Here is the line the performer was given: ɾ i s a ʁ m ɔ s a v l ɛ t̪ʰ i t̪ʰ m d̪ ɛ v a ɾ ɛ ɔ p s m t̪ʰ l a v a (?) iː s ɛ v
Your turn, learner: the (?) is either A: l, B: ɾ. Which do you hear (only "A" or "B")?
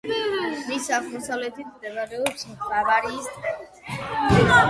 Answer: B